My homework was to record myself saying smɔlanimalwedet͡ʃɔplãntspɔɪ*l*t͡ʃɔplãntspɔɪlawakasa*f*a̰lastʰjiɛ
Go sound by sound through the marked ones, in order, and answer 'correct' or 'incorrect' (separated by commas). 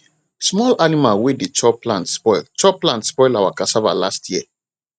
correct, incorrect